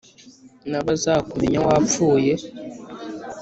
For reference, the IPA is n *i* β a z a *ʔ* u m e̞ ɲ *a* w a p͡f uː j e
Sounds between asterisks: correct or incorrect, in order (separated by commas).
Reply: incorrect, incorrect, correct